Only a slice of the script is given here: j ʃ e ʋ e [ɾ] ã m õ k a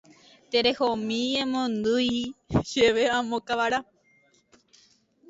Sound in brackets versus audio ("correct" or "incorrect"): incorrect